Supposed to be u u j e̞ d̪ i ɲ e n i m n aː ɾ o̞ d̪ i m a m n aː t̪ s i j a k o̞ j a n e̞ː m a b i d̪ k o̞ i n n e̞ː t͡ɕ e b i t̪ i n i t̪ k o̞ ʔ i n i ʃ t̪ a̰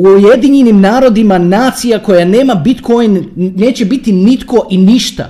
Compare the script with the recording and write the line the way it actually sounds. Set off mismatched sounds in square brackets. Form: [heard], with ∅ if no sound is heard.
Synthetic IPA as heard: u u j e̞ d̪ i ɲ e n i m n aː ɾ o̞ d̪ i m a [∅] n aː t̪ s i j a k o̞ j a n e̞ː m a b i [t̪] k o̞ [j] n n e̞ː t͡ɕ e b i t̪ i n i t̪ k o̞ ʔ i n i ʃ t̪ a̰